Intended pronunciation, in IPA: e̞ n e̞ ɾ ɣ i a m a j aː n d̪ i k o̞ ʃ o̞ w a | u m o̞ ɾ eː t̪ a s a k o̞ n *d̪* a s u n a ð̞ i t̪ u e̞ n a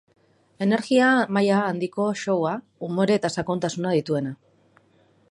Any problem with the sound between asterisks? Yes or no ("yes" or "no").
yes